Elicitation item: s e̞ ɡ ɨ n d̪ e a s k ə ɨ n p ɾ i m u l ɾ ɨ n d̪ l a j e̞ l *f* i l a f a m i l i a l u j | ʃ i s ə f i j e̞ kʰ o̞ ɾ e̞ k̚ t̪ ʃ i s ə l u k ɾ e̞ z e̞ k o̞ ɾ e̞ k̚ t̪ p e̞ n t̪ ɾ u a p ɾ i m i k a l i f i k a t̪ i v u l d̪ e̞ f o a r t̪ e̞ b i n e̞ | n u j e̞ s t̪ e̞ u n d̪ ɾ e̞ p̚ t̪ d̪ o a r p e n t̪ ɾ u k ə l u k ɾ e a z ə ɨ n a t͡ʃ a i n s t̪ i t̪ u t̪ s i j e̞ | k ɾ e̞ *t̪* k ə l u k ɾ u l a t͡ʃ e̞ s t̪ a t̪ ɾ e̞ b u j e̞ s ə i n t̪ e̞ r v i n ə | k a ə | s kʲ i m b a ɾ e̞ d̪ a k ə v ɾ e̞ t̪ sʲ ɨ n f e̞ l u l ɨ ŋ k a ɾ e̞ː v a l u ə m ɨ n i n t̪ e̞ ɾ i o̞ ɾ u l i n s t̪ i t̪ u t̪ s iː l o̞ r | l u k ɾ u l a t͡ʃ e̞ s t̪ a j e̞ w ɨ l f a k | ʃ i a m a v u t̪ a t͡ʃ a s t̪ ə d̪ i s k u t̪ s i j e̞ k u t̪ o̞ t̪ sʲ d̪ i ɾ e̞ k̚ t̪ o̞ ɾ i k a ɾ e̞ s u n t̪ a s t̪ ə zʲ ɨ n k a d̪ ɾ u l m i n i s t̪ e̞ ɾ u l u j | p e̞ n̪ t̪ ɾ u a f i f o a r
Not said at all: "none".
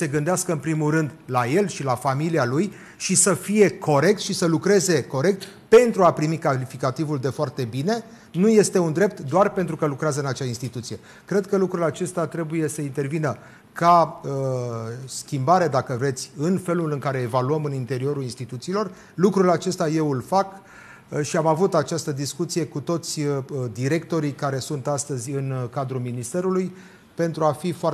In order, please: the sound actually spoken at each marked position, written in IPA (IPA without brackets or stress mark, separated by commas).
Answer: ʃ, d̪